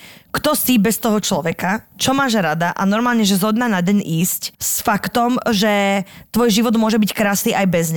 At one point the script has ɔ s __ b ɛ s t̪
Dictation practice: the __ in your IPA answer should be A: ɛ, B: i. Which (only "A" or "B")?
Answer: B